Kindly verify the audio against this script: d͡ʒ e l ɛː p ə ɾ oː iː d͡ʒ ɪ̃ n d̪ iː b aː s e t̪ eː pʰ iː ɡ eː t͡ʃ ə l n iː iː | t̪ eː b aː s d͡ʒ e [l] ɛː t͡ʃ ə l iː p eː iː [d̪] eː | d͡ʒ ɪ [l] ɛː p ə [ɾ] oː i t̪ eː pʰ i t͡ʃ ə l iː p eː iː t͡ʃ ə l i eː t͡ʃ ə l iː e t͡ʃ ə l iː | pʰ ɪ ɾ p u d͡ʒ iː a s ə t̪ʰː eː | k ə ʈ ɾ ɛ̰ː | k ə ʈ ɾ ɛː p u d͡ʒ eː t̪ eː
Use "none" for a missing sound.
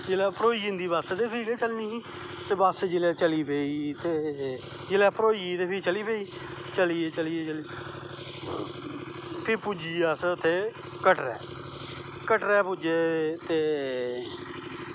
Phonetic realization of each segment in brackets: l, t̪, l, ɾ

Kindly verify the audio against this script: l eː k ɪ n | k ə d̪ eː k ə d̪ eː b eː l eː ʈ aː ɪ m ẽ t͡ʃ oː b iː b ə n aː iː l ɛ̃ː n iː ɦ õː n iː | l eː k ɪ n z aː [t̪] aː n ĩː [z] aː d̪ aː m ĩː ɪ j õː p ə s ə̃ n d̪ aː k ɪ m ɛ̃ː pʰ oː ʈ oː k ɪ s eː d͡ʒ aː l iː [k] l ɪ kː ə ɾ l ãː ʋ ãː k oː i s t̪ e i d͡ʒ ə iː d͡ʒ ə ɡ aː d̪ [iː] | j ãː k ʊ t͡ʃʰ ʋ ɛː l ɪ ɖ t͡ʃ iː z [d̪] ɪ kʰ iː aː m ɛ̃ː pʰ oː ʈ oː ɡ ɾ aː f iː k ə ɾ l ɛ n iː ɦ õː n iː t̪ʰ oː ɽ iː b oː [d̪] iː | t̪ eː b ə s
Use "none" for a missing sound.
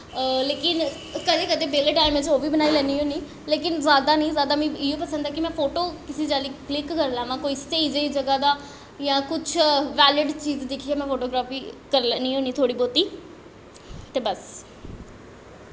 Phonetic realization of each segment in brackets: d̪, z, k, aː, d̪, t̪

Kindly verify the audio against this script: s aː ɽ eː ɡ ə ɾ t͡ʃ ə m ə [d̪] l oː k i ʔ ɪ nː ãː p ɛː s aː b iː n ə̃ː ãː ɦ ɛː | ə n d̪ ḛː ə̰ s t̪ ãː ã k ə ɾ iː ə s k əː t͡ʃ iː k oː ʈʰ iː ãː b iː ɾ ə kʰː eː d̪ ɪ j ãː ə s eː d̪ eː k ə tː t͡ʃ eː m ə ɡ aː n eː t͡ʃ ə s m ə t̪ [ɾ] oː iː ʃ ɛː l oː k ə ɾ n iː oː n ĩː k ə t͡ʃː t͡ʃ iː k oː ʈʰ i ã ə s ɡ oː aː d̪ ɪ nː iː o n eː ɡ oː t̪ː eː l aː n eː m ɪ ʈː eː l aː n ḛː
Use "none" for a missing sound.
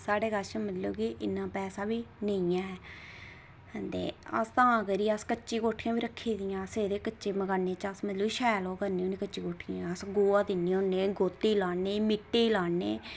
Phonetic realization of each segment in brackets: t̪, l

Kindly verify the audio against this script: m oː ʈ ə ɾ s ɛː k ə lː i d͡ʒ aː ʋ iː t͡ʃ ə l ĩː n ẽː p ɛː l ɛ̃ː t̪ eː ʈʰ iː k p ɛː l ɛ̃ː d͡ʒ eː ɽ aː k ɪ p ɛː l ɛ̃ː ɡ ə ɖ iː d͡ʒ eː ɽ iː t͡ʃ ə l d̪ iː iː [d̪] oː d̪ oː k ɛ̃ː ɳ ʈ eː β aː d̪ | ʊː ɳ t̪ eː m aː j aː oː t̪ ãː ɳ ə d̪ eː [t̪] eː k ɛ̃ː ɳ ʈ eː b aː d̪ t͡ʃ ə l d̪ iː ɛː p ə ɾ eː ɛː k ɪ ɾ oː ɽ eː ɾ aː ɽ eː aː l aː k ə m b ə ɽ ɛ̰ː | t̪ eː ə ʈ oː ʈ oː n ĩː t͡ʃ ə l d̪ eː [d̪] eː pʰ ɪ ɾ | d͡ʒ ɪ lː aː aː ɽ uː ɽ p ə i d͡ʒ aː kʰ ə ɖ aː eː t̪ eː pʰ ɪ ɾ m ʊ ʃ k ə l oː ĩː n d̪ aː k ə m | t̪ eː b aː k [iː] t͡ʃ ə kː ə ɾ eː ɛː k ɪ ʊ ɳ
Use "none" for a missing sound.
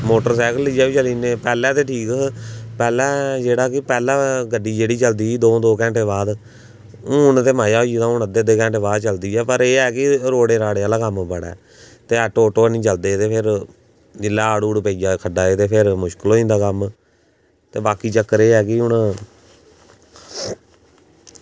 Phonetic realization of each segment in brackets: d̪, d̪, t̪, iː

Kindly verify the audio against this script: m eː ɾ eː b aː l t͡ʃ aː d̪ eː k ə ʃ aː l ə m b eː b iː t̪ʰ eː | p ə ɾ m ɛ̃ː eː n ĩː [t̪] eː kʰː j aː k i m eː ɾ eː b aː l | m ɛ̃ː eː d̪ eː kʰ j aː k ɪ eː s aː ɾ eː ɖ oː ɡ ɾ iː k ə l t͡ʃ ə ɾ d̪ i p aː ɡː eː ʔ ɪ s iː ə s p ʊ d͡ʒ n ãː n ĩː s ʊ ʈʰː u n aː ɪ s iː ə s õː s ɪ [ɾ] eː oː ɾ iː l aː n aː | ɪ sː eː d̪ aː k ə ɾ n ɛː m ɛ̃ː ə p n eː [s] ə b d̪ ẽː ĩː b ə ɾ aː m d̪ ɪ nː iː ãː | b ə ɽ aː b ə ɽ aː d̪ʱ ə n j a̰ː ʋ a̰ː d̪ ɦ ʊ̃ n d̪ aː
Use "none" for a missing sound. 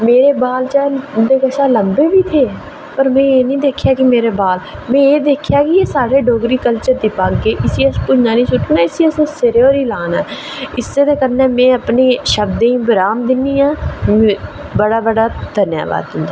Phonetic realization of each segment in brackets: d̪, ɾ, ʃ

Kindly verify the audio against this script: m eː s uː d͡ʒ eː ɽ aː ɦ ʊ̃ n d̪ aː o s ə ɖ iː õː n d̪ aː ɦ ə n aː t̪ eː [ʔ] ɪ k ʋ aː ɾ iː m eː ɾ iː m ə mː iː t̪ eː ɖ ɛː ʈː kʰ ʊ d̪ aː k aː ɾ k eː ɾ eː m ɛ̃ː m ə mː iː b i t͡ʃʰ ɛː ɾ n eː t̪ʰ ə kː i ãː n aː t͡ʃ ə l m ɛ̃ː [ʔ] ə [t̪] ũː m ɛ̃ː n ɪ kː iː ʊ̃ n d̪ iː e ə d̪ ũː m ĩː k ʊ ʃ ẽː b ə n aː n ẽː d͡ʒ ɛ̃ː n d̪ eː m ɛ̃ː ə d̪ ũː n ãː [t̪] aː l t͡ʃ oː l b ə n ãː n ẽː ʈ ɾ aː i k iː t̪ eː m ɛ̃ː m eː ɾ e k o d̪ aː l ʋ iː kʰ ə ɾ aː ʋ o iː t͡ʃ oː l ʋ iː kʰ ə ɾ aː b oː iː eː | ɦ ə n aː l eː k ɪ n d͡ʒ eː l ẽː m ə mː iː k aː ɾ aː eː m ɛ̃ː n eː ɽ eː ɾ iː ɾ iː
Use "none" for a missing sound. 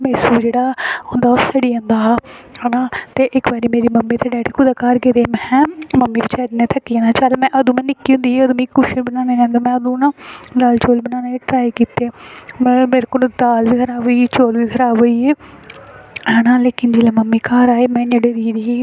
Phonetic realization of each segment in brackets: ʔ, ʔ, d̪, d̪

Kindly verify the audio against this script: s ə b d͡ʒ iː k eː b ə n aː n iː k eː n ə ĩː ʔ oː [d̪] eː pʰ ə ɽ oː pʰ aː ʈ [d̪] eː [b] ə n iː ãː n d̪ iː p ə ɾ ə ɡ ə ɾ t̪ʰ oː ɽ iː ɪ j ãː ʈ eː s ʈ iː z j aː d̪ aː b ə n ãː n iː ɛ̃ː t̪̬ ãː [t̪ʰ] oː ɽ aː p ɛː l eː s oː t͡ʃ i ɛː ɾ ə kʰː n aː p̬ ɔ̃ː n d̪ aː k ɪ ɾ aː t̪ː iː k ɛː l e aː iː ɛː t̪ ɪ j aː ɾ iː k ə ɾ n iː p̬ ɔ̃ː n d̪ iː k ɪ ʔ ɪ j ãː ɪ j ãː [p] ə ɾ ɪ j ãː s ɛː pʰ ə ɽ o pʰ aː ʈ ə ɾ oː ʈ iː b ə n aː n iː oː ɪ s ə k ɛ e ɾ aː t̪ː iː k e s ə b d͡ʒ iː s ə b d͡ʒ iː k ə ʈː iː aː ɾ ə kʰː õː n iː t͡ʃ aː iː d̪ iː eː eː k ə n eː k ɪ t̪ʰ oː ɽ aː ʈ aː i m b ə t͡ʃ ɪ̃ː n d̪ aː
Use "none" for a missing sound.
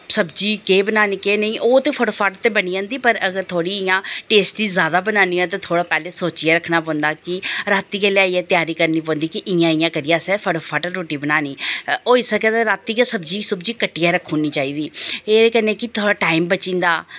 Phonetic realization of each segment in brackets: t̪, t̪, b, t̪ʰ, k

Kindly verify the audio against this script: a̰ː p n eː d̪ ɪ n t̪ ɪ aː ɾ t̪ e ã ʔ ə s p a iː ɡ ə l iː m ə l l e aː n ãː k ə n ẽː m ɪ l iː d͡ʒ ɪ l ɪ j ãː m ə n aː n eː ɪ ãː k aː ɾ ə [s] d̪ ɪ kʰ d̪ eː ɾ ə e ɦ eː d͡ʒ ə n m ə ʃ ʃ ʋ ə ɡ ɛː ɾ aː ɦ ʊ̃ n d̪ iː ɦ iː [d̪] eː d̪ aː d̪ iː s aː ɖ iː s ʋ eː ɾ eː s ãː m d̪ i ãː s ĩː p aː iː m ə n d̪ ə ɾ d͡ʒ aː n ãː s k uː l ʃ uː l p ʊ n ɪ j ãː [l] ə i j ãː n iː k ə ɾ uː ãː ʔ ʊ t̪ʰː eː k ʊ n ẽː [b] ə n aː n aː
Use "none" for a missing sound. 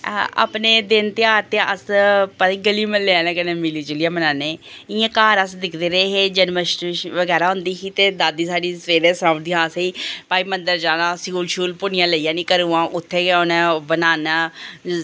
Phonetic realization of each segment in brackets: s, t̪, l, b

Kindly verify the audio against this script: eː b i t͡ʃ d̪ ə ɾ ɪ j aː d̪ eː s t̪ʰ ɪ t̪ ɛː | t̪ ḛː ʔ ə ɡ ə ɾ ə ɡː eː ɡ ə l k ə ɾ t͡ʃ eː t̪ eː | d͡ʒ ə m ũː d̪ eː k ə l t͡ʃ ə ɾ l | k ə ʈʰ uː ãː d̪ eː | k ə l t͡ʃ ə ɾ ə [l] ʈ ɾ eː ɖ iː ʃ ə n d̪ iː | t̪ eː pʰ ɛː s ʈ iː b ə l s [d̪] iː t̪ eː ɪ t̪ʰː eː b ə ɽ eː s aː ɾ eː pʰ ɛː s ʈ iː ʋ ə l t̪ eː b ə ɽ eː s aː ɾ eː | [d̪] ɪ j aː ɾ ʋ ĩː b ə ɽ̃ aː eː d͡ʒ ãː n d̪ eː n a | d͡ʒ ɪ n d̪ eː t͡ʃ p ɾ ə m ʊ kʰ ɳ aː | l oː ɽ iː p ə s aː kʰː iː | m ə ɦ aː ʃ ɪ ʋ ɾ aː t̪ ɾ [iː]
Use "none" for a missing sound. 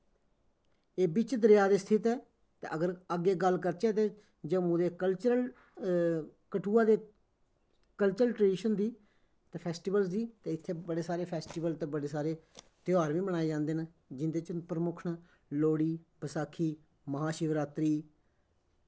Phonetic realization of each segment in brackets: l, d̪, t̪, iː

